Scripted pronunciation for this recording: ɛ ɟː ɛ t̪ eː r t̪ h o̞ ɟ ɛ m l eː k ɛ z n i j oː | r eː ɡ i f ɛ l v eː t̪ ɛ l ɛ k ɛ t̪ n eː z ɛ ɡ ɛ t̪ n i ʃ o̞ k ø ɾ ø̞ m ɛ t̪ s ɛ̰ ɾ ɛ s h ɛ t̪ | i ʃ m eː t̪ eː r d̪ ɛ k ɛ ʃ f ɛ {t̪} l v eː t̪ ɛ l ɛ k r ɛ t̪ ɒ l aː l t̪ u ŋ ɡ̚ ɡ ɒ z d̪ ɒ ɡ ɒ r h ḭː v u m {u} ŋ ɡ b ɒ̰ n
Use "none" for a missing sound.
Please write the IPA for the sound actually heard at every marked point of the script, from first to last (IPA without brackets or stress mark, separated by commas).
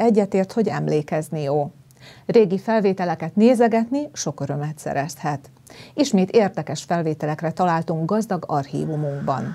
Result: none, u